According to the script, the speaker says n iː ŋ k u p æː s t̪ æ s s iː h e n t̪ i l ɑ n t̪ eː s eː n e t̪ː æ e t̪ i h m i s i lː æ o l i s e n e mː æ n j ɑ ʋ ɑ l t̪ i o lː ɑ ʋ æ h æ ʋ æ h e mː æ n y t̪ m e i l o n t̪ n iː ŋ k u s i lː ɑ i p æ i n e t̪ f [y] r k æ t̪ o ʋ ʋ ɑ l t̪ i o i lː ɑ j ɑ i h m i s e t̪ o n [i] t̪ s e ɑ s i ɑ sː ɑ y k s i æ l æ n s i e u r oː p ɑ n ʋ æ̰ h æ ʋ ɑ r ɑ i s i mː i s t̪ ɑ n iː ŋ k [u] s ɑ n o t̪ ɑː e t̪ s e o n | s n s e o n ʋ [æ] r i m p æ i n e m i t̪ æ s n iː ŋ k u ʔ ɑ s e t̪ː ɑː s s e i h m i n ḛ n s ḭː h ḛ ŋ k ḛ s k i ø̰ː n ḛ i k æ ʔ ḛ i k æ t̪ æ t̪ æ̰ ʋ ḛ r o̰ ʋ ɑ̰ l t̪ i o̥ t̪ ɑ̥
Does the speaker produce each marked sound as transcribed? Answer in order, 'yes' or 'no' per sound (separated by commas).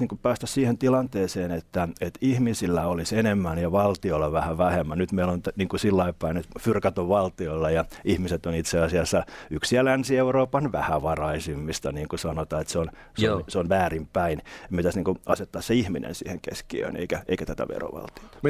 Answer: yes, yes, yes, no